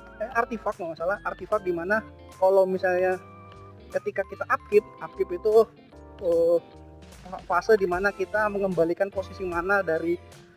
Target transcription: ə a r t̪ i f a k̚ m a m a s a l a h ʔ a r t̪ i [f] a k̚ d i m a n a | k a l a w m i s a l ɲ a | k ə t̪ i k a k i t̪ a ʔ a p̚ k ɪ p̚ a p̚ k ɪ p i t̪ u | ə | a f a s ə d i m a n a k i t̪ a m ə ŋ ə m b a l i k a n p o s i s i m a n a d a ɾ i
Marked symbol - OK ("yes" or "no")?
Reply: yes